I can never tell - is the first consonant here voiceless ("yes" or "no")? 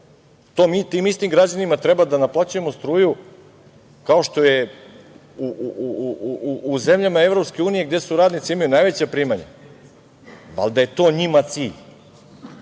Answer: yes